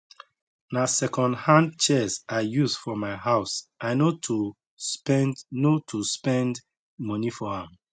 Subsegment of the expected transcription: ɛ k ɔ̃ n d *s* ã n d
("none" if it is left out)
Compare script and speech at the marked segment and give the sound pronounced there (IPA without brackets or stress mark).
h